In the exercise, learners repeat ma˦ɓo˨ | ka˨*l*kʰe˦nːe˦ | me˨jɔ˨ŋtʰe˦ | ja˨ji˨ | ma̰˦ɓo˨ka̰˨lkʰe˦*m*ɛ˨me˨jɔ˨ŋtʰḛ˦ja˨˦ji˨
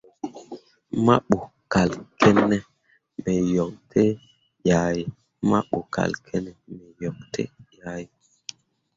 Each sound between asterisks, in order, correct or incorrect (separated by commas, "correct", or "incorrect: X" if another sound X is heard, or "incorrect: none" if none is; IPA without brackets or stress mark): correct, incorrect: n